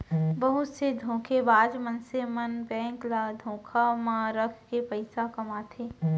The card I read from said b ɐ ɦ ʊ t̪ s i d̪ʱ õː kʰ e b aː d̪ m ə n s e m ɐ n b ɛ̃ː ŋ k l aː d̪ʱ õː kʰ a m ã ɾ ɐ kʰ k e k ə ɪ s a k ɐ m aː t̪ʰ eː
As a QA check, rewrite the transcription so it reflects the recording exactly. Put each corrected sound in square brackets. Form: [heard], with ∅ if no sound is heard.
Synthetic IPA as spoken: b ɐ ɦ ʊ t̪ s [e] d̪ʱ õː kʰ e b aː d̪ m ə n s e m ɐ n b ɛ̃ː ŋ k l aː d̪ʱ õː kʰ a m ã ɾ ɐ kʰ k e [p] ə ɪ s a k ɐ m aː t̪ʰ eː